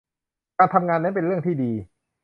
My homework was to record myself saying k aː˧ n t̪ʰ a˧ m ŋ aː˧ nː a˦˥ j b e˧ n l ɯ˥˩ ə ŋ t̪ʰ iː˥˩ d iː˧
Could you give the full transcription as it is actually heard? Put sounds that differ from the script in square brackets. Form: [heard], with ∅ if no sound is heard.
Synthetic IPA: k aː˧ n t̪ʰ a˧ m ŋ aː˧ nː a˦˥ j [p] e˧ n [ɾ] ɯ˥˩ ə ŋ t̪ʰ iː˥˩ d iː˧